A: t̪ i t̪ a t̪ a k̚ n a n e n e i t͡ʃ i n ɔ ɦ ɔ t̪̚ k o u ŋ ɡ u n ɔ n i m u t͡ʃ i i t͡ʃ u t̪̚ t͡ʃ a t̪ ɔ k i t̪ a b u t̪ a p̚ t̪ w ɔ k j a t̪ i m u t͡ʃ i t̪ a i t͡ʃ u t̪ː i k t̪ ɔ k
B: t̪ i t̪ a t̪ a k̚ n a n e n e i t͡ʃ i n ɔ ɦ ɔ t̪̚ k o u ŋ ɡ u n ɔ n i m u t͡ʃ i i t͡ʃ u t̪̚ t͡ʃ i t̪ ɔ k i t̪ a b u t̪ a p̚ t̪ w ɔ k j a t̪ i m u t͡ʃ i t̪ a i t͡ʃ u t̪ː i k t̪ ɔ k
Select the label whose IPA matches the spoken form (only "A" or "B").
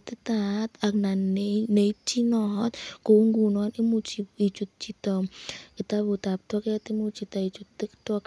B